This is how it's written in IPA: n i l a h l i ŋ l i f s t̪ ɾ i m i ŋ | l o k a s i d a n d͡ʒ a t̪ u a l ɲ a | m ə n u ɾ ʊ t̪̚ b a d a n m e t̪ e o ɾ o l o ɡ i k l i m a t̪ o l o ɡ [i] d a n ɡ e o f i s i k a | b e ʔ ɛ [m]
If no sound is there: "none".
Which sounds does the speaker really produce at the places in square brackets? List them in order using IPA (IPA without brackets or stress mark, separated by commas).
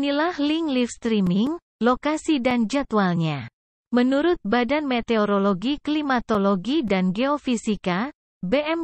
i, m